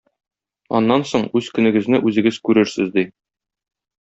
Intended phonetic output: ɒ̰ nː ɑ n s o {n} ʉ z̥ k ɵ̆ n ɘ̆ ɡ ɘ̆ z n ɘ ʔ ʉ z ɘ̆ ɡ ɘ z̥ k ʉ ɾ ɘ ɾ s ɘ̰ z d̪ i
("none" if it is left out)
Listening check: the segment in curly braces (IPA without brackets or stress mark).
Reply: ɴ